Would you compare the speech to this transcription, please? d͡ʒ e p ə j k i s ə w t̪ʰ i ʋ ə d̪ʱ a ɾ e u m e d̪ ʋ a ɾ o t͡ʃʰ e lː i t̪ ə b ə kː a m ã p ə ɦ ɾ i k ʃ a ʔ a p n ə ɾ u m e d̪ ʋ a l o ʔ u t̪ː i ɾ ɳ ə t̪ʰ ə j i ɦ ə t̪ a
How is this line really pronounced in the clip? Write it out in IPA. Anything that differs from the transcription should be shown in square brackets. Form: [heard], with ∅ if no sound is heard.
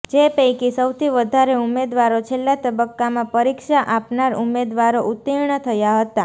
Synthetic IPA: d͡ʒ e p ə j k i s ə w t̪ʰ i ʋ ə d̪ʱ a ɾ e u m e d̪ ʋ a ɾ o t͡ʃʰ e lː [a] t̪ ə b ə kː a m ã p ə [∅] ɾ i k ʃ a ʔ a p n [a] ɾ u m e d̪ ʋ a [ɾ] o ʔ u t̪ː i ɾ ɳ ə t̪ʰ ə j [a] ɦ ə t̪ a